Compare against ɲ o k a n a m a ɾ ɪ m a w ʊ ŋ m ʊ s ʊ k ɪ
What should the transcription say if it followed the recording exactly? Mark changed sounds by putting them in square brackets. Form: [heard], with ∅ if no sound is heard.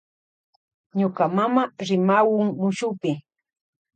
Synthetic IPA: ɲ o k a [m] a m a ɾ ɪ m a w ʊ ŋ m ʊ [ʃ] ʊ [p] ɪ